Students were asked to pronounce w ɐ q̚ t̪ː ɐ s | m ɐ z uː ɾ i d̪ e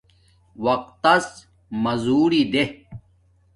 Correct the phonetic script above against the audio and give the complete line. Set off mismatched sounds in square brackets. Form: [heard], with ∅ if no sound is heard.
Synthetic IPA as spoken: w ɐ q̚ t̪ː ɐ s | m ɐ z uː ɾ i d̪ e

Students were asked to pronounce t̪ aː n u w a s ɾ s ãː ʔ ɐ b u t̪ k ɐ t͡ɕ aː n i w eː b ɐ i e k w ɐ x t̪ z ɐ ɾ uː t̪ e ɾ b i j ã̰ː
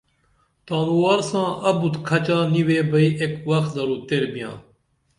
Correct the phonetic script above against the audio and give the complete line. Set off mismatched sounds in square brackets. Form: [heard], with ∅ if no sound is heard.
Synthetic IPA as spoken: t̪ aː n u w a [∅] ɾ s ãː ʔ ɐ b u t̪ [kʰ] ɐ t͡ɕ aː n i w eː b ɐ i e k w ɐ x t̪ z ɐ ɾ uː t̪ e ɾ b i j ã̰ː

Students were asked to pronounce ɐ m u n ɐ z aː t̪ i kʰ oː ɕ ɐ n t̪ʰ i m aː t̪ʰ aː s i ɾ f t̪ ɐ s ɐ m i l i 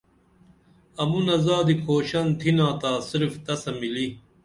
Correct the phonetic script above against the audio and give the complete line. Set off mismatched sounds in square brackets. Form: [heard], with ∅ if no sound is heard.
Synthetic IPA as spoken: ɐ m u n ɐ z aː [d̪] i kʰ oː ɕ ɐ n t̪ʰ i [n] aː [t̪] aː s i ɾ f t̪ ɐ s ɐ m i l i

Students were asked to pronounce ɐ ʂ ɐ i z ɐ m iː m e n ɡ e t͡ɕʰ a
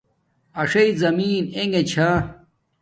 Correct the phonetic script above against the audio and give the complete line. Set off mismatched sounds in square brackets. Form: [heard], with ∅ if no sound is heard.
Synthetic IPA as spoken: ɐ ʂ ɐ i z ɐ m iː [n] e [ŋ] ɡ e t͡ɕʰ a

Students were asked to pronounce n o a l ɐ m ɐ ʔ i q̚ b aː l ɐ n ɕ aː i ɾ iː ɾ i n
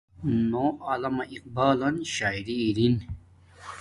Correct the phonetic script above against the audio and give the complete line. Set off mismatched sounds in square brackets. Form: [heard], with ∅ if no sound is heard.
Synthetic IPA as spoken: n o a l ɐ m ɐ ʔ i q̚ b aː l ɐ n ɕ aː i ɾ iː ɾ i n

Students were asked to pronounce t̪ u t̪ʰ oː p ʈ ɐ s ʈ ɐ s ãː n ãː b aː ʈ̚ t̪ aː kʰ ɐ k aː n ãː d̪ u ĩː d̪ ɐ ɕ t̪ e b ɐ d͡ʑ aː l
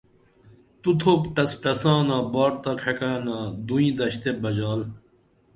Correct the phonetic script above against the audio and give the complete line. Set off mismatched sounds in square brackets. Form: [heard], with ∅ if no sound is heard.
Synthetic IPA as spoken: t̪ u t̪ʰ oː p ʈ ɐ s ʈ ɐ s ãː n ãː b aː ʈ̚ t̪ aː kʰ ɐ k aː n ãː d̪ u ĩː d̪ ɐ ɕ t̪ e b ɐ d͡ʑ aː l

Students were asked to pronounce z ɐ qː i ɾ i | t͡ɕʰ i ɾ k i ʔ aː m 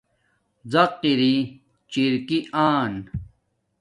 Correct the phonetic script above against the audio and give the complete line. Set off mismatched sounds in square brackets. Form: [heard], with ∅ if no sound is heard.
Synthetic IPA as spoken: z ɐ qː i ɾ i | [t͡ɕ] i ɾ k i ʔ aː [n]

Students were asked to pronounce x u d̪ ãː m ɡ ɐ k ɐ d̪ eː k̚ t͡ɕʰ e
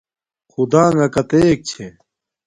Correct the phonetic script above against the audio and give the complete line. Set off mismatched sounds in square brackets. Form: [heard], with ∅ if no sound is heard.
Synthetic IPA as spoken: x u d̪ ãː [ŋ] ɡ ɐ k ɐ [t̪] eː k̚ t͡ɕʰ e

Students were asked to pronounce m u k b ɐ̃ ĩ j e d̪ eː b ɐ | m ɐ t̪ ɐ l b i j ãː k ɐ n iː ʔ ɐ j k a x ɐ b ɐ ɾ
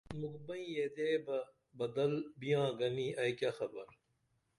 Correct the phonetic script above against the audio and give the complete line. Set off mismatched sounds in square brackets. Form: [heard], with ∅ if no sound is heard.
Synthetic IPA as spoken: m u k b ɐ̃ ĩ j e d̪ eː b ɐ | [b] ɐ [d̪] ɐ l b i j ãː [ɡ] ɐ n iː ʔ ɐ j k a x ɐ b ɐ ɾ

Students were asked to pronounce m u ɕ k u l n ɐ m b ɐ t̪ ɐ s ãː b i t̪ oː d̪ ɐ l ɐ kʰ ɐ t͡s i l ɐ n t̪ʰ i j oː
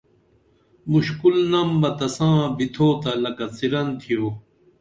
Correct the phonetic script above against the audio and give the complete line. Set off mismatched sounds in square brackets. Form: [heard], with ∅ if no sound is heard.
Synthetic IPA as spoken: m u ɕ k u l n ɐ m b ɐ t̪ ɐ s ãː b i [t̪ʰ] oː [t̪] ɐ l ɐ [k] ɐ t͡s i [ɾ] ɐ n t̪ʰ i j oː

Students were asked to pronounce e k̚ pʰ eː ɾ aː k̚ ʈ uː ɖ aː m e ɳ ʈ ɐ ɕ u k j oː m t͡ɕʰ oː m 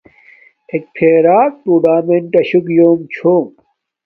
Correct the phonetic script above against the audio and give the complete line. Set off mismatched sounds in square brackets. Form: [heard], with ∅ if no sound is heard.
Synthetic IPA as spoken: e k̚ pʰ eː ɾ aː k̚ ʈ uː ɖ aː m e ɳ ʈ ɐ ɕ u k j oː m t͡ɕʰ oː m

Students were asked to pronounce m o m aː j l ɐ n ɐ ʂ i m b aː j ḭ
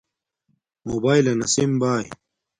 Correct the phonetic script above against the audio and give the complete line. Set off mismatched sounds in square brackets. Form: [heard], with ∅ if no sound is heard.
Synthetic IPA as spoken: m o [b] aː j l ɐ n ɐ [s] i m b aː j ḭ

